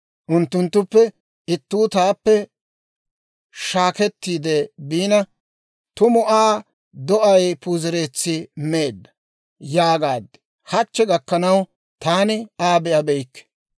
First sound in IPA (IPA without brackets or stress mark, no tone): ʔ